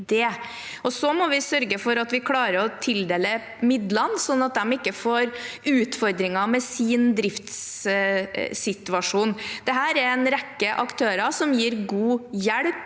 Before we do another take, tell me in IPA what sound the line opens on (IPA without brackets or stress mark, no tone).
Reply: d̪